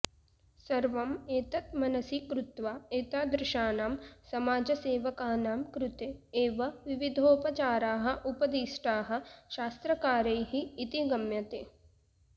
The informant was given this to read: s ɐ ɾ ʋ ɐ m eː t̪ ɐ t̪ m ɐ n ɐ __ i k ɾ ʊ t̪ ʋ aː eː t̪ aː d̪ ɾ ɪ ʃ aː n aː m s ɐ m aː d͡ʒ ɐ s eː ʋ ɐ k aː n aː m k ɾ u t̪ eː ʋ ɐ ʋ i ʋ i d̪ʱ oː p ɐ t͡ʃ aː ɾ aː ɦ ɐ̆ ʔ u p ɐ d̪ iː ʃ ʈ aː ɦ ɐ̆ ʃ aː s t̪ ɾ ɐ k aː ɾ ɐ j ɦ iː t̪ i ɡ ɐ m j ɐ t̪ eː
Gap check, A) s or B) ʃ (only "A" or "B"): A